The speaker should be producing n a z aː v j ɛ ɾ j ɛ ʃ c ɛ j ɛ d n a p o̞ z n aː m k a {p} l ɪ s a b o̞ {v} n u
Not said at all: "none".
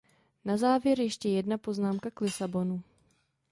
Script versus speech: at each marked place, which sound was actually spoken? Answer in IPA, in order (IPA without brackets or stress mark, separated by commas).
k, none